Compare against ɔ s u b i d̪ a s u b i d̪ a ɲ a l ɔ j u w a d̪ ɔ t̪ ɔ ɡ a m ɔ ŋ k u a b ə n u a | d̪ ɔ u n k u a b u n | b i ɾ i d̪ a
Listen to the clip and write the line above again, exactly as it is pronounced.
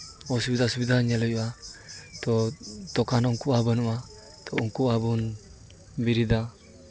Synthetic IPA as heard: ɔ s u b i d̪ a s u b i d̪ a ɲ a l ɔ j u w a t̪ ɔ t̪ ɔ k a n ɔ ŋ k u a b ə n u a | t̪ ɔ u ŋ k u a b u n | b i ɾ i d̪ a

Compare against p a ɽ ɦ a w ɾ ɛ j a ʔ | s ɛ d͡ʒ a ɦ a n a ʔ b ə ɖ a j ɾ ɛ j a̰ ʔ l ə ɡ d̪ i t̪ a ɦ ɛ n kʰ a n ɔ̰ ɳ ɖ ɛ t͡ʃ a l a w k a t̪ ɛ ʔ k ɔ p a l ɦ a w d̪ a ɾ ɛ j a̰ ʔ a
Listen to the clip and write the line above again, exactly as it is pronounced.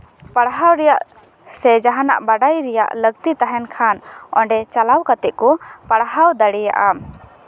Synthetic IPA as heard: p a ɽ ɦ a w ɾ ɛ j a ʔ | s ɛ d͡ʒ a ɦ a n a ʔ b a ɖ a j ɾ ɛ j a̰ ʔ l ə ɡ t̪ i t̪ a ɦ ɛ n kʰ a n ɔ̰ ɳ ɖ ɛ t͡ʃ a l a w k a t̪ ɛ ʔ k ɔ p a ɽ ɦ a w d̪ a ɽ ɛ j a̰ ʔ a

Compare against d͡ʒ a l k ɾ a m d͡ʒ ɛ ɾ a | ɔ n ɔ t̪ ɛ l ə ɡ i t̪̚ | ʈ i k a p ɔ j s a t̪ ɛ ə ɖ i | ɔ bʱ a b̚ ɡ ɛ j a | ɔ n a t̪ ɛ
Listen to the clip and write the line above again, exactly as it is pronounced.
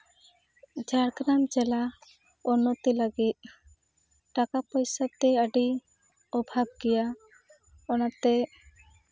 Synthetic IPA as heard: d͡ʒ a ɽ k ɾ a m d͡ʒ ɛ l a | ɔ n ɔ t̪ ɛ l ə ɡ i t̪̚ | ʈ a k a p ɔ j s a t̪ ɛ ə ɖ i | ɔ bʱ a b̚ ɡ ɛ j a | ɔ n a t̪ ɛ

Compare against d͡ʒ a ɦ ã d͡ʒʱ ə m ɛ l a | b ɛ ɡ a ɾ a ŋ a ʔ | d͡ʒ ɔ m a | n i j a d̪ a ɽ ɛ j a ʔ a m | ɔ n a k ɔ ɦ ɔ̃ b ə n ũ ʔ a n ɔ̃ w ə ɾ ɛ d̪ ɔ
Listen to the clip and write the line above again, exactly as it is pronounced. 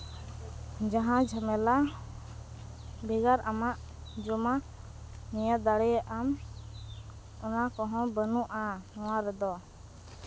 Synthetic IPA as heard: d͡ʒ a ɦ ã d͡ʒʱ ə m ɛ l a | b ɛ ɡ a ɾ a m a ʔ | d͡ʒ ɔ m a | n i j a d̪ a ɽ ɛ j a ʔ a m | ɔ n a k ɔ ɦ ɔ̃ b ə n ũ ʔ a n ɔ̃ w a ɾ ɛ d̪ ɔ

